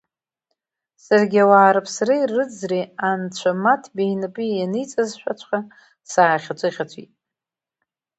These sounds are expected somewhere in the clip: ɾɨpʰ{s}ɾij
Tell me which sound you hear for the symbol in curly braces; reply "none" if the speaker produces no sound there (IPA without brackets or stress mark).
s